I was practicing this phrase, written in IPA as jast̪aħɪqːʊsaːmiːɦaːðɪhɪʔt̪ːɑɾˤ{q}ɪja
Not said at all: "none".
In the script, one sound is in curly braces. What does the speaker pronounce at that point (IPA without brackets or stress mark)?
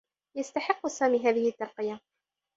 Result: q